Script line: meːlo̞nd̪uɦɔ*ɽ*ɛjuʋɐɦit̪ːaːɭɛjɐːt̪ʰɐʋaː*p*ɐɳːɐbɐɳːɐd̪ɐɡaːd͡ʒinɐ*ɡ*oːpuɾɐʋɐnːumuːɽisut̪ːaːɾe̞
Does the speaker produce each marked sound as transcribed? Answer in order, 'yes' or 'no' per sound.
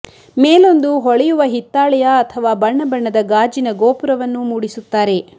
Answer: no, no, yes

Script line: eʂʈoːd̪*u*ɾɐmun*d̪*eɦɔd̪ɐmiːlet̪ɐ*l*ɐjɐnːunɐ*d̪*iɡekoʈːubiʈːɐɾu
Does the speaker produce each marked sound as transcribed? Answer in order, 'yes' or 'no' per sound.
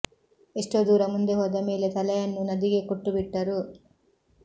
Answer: no, yes, yes, yes

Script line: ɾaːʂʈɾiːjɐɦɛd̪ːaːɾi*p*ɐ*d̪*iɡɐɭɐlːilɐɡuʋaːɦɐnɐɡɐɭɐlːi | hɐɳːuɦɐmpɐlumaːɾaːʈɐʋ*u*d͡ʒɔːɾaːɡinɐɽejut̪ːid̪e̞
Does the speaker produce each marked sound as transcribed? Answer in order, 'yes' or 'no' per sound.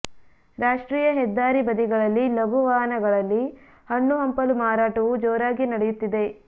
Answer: no, yes, yes

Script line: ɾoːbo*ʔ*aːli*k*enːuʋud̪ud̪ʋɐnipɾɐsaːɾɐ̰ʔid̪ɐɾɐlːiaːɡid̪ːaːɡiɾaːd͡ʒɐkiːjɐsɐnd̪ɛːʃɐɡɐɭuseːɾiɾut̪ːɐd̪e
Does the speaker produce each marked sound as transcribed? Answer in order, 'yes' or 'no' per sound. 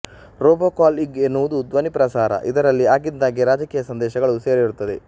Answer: no, no

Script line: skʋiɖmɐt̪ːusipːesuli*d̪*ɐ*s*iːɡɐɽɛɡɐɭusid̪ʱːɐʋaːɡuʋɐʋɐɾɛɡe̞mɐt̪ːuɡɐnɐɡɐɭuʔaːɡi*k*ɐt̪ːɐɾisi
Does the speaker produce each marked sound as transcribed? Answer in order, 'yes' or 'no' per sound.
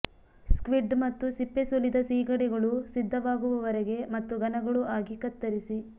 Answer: yes, yes, yes

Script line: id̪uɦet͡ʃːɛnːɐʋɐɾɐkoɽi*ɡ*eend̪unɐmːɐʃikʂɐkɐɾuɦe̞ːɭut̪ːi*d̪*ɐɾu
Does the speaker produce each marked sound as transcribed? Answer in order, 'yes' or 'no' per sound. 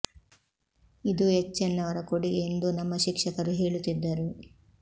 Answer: yes, no

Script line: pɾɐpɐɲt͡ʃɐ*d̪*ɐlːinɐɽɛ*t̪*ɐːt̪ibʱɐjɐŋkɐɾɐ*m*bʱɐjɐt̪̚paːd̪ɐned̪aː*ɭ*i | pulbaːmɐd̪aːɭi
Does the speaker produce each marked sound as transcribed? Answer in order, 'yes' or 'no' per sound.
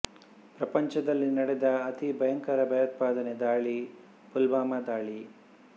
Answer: yes, no, no, yes

